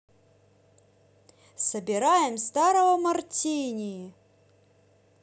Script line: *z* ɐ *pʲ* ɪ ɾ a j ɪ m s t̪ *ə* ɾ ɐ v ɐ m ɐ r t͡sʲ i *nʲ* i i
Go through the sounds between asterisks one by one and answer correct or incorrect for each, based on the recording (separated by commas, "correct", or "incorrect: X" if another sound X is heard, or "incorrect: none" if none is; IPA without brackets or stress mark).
incorrect: s, incorrect: bʲ, incorrect: a, correct